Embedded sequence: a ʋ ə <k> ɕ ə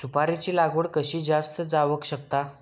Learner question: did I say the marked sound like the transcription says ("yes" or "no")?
yes